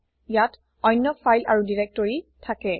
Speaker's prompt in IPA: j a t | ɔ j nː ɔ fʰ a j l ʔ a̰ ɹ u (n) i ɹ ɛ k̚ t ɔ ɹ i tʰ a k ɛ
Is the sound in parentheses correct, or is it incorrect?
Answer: incorrect